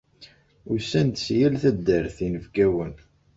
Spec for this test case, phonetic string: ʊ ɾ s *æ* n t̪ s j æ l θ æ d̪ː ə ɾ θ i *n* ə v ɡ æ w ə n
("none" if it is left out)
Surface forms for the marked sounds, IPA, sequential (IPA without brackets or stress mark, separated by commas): æ, n